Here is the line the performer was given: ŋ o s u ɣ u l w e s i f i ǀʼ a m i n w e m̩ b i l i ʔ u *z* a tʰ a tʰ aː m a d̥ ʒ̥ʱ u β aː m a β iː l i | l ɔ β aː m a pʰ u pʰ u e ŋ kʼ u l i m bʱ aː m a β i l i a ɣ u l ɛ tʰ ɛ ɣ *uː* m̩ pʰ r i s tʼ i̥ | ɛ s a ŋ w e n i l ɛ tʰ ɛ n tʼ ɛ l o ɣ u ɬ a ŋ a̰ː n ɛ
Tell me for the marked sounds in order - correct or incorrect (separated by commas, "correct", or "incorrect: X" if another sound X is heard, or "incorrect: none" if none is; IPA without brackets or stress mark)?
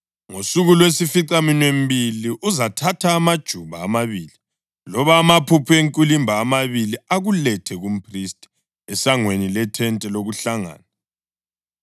correct, incorrect: u